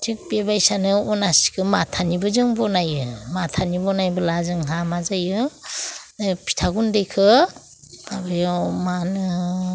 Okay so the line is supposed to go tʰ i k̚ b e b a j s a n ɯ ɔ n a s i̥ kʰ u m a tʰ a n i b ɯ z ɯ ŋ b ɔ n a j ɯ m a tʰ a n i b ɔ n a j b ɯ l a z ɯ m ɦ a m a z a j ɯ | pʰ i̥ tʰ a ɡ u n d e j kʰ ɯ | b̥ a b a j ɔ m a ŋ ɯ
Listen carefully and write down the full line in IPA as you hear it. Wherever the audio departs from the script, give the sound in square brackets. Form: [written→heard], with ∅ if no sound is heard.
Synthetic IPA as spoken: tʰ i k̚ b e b a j s a n ɯ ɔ n a s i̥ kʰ [u→ɯ] m a tʰ a n i b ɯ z ɯ ŋ b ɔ n a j ɯ m a tʰ a n i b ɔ n a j b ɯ l a z ɯ [m→ŋ] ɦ a m a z a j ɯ | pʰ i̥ tʰ a ɡ u n d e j kʰ ɯ | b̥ a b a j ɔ m a [ŋ→n] ɯ